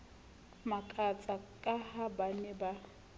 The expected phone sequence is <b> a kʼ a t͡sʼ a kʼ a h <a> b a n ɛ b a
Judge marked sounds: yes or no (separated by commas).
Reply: no, yes